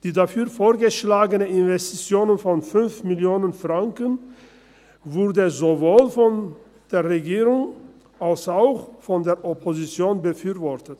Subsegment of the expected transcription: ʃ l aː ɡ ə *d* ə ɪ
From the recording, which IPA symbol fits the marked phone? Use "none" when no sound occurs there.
n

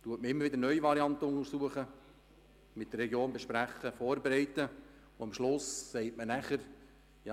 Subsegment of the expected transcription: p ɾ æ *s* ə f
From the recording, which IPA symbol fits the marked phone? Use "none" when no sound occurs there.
χ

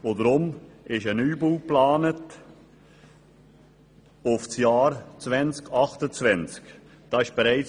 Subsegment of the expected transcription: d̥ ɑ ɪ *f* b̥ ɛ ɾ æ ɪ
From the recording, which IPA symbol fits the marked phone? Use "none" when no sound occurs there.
ʃ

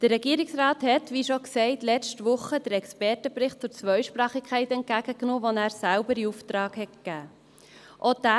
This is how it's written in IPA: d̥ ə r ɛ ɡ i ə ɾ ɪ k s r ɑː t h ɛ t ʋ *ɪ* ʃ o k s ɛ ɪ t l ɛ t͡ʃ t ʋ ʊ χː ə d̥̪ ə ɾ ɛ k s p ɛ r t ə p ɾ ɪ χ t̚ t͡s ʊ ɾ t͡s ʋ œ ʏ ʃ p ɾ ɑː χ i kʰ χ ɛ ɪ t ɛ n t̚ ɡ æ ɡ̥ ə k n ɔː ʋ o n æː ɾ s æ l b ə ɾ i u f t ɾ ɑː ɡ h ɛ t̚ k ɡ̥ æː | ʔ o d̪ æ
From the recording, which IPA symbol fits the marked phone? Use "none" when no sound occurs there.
i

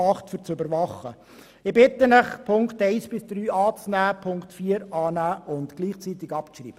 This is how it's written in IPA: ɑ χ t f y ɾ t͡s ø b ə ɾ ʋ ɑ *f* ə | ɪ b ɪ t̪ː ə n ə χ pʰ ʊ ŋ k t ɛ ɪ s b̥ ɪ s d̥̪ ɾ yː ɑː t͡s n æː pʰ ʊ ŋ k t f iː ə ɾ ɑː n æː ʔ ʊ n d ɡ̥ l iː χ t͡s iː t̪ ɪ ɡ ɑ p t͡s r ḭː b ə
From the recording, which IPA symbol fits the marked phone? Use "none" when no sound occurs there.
χ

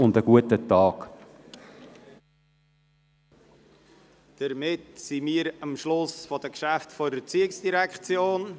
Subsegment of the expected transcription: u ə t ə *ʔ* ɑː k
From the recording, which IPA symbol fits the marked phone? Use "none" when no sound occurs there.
t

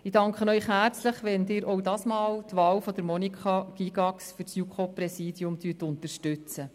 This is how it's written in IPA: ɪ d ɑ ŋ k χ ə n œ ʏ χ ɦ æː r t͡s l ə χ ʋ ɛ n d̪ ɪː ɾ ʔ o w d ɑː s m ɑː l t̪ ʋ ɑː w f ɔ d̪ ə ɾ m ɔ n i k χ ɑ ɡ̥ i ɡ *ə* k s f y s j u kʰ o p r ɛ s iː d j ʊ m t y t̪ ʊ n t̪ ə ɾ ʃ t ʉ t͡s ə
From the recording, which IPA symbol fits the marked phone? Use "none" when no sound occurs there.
ɑ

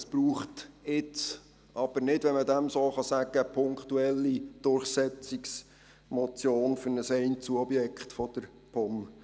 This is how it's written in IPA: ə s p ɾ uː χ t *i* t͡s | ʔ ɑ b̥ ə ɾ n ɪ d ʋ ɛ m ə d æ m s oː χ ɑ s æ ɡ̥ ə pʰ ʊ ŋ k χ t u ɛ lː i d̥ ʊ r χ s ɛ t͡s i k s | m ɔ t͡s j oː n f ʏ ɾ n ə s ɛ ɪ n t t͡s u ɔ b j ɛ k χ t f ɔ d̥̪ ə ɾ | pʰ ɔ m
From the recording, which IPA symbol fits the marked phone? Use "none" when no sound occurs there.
ɪ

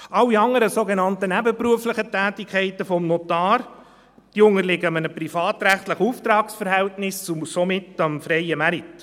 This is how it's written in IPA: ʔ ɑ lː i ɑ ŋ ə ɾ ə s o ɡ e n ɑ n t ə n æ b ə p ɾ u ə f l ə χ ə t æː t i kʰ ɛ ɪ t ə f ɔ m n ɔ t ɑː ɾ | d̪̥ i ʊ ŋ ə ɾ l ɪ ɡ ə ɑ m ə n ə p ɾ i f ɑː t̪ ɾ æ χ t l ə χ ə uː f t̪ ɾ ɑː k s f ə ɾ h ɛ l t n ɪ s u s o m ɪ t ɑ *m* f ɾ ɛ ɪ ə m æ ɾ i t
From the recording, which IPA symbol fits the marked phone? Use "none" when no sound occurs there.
m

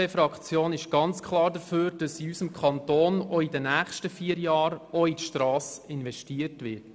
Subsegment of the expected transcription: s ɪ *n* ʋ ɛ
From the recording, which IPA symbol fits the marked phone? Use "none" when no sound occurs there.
n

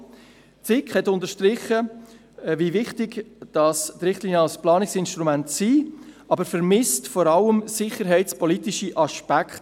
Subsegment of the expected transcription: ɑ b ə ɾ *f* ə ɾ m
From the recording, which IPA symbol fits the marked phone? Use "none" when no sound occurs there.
f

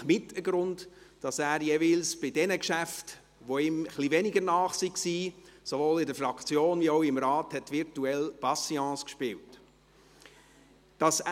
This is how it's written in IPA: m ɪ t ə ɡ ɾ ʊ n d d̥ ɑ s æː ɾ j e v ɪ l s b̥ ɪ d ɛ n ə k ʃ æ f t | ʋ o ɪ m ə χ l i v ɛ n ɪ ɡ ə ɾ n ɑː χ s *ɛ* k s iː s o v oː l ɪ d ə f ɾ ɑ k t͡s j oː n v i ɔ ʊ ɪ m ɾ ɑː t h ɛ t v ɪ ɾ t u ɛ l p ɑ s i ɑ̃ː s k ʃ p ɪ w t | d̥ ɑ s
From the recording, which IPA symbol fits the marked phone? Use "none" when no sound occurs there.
i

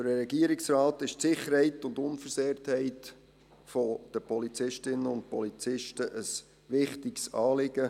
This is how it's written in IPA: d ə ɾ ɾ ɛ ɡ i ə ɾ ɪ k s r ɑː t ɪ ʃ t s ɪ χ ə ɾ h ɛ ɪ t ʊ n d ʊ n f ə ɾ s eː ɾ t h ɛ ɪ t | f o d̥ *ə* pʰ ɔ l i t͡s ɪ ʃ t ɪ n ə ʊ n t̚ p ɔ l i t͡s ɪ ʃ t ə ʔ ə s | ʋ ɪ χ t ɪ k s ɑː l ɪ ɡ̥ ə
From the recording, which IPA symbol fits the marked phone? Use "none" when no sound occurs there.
ə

